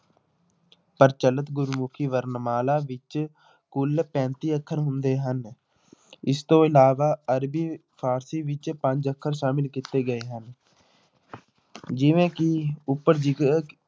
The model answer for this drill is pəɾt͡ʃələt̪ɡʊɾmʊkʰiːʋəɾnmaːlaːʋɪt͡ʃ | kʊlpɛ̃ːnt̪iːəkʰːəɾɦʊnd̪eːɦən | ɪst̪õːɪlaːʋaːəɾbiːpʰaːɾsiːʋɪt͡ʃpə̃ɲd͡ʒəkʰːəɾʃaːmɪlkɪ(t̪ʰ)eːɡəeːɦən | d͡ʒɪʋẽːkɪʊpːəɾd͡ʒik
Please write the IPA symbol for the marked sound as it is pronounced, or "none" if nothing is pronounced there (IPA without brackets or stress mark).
t̪